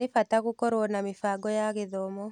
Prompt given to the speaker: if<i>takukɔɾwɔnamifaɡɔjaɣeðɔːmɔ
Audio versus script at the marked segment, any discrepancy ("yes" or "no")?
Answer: yes